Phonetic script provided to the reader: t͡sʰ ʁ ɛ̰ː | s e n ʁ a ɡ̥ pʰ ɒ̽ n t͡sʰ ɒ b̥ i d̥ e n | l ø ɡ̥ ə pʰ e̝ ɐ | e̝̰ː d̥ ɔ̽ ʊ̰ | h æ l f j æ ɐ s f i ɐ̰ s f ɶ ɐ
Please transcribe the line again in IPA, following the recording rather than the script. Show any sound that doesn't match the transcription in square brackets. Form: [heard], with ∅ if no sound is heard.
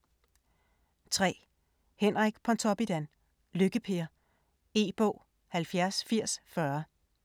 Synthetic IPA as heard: t͡sʰ ʁ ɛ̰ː | [h] e n ʁ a ɡ̥ pʰ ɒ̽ n t͡sʰ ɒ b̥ i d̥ [æ] n | l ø ɡ̥ ə pʰ e̝ ɐ | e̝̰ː [b̥] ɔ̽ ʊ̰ | h æ l f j æ ɐ s f i ɐ̰ s f ɶ ɐ